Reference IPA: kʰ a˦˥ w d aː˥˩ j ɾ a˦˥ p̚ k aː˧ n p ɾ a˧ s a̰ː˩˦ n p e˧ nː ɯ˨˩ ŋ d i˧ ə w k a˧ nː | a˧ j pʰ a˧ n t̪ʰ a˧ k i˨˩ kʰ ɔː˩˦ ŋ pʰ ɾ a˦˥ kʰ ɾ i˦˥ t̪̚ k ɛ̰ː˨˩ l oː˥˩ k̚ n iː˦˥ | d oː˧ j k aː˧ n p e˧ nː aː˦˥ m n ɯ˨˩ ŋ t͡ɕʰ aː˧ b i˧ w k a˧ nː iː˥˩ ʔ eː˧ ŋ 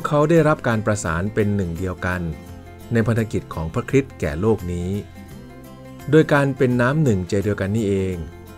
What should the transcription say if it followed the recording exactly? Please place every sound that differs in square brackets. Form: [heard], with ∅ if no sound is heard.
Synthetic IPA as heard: kʰ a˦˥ w d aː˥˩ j ɾ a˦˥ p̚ k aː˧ n p ɾ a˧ s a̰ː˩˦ n p e˧ nː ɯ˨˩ ŋ d i˧ ə w k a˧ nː | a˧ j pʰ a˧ n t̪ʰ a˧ k i˨˩ kʰ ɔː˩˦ ŋ pʰ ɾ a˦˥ kʰ ɾ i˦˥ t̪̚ k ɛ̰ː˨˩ l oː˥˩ k̚ n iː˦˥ | d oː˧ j k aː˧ n p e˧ nː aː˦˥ m n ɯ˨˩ ŋ [t͡ɕ] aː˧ [d] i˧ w k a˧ nː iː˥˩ ʔ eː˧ ŋ